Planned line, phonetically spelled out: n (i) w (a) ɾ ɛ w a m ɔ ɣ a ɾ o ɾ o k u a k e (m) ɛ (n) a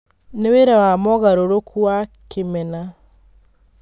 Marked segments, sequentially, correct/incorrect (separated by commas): incorrect, incorrect, correct, correct